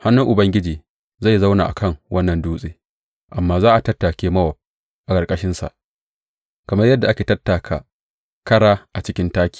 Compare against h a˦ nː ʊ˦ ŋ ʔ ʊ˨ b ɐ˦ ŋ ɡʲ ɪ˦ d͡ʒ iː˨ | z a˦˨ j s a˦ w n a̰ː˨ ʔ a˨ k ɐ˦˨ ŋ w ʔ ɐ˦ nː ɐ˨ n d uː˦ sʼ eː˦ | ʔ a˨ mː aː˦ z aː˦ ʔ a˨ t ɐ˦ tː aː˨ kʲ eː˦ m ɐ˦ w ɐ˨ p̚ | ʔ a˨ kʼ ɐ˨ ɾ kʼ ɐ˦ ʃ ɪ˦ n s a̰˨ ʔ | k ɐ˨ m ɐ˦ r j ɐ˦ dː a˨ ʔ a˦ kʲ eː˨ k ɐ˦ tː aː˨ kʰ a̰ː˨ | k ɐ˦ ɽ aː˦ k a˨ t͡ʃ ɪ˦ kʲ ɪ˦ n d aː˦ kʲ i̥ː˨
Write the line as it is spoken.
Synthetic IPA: h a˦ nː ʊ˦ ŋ ʔ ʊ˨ b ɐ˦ ŋ ɡʲ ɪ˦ d͡ʒ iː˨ | z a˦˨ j z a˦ w n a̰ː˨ ʔ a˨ k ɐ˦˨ ŋ w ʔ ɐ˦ nː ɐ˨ n d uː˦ sʼ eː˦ | ʔ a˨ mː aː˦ z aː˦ ʔ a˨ t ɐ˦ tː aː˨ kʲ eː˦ m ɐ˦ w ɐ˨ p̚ | ʔ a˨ kʼ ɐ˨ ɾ kʼ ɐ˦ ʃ ɪ˦ n s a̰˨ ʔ | k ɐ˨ m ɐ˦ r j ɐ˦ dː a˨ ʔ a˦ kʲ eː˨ t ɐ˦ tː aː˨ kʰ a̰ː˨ | k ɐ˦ ɽ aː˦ ʔ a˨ t͡ʃ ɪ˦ kʲ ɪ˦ n t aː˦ kʲ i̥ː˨

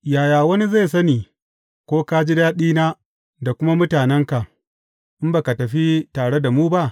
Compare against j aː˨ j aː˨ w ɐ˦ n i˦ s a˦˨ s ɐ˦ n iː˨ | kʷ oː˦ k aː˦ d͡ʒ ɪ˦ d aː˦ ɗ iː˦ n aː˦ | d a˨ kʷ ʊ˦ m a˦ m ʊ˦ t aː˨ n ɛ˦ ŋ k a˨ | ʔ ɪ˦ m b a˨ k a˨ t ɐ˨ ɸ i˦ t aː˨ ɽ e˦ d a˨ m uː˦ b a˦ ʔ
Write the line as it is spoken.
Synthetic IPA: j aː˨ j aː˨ w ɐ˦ n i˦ z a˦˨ s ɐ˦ n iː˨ | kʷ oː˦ k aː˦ d͡ʒ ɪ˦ d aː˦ ɗ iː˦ n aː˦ | d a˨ kʷ ʊ˦ m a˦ m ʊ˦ t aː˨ n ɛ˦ ŋ k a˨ | ʔ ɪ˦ m b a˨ k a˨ t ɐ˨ ɸ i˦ t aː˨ ɽ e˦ d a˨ m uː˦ b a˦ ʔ

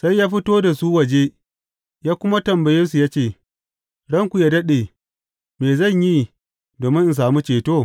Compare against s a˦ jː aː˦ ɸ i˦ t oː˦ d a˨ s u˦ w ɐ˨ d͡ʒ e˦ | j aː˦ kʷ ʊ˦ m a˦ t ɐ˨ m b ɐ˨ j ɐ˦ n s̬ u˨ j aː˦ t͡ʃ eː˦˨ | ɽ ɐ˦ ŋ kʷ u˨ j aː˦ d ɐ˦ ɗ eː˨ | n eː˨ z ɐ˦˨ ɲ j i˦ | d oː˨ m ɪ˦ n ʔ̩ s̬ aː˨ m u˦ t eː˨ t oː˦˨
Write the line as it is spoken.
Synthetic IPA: s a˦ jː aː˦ ɸ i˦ t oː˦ d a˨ s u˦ w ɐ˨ d͡ʒ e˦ | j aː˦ kʷ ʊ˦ m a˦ t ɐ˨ m b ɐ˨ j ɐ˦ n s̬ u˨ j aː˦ t͡ʃ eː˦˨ | ɽ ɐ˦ ŋ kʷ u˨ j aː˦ d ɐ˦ ɗ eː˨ | m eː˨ z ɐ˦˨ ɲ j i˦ | d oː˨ m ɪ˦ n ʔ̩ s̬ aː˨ m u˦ t͡ʃ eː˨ t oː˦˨

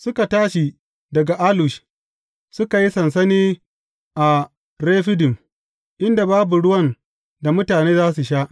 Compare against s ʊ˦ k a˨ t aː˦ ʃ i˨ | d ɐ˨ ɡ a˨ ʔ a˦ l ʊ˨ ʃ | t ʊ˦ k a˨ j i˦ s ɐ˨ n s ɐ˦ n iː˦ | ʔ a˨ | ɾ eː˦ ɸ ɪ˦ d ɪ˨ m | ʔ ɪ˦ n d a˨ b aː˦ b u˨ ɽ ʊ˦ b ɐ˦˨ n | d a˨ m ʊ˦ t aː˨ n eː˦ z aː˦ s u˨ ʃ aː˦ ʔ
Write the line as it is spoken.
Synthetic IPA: s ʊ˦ k a˨ t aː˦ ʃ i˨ | d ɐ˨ ɡ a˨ ʔ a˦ l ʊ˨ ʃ | s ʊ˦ k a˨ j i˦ s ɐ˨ n s ɐ˦ n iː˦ | ʔ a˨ | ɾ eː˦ ɸ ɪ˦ d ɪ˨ m | ʔ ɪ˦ n d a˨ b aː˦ b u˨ ɽ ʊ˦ w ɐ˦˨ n | d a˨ m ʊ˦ t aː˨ n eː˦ z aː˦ s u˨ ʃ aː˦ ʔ

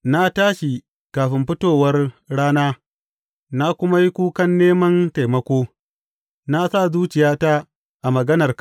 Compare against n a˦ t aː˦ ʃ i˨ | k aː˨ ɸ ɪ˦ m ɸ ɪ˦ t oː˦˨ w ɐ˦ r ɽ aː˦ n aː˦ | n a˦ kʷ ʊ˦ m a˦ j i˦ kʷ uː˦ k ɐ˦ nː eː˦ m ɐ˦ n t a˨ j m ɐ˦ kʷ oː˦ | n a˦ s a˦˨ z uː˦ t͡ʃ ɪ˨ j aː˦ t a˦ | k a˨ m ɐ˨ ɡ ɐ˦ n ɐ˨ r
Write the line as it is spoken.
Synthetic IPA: n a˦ t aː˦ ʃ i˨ | k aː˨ ɸ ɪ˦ m ɸ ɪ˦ t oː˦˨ w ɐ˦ r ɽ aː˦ n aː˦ | n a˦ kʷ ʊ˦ m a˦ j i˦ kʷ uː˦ k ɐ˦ nː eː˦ m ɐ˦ n t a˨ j m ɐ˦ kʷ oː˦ | n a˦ s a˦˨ z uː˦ t͡ʃ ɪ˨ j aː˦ t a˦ | ʔ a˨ m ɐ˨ ɡ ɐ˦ n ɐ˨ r

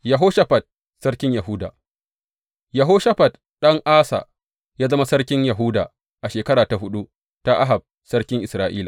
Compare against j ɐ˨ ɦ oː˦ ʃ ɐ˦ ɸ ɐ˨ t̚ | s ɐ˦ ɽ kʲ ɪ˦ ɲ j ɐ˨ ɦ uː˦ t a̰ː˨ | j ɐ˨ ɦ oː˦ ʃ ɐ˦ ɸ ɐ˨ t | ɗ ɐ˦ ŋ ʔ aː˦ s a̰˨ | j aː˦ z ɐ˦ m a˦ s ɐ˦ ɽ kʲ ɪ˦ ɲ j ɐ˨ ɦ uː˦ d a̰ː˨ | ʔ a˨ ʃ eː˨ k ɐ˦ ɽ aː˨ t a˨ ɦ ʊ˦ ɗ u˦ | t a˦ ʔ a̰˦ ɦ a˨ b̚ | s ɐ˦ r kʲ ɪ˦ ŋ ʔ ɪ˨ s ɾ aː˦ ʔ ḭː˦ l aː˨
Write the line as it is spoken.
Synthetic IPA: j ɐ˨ ɦ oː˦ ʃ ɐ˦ ɸ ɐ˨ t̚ | s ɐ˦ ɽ kʲ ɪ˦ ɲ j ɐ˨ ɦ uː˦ d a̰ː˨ | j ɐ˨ ɦ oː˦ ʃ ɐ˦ ɸ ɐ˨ t | ɗ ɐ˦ ŋ ʔ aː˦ s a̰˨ | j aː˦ z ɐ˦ m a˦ s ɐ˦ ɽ kʲ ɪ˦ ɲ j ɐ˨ ɦ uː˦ d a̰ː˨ | ʔ a˨ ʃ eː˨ k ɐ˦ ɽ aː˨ t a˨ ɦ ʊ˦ ɗ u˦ | t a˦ ʔ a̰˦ ɦ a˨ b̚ | s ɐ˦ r kʲ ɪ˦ ŋ ʔ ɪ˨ s ɾ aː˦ ʔ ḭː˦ l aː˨

